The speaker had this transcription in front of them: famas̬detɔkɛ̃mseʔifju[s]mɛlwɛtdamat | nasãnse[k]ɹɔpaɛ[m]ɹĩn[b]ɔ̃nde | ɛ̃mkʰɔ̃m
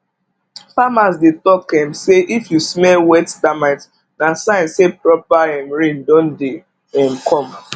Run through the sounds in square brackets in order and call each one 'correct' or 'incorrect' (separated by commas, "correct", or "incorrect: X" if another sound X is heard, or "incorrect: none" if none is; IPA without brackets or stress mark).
correct, incorrect: p, correct, incorrect: d